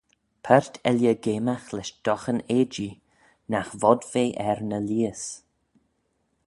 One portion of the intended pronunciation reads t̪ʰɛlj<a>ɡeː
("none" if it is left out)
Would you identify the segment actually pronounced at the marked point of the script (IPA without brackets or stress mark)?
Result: ə